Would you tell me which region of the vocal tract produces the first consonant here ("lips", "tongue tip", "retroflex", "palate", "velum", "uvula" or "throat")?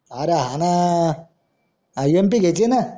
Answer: tongue tip